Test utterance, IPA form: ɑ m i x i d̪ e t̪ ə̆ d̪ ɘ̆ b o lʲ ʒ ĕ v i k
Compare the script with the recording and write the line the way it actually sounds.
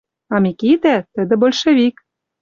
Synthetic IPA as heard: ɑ m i k i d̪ æ t̪ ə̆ d̪ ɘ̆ b o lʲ ʃ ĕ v i k